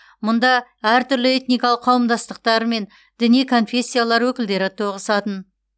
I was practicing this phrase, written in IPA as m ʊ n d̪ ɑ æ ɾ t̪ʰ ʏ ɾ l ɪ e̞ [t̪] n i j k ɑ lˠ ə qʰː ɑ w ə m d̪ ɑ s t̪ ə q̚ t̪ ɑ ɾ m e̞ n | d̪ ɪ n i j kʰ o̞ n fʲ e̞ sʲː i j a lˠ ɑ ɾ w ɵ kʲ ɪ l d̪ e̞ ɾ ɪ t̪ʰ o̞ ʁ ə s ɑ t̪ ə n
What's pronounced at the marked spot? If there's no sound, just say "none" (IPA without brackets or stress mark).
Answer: t̪